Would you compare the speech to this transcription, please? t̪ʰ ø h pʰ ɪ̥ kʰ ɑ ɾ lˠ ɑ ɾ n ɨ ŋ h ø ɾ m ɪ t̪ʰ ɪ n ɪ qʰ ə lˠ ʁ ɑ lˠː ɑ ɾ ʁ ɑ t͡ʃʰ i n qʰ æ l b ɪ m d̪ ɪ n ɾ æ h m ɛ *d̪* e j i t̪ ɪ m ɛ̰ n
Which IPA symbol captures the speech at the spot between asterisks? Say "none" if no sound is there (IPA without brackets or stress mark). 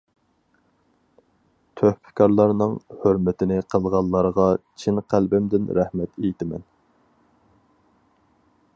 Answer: t̪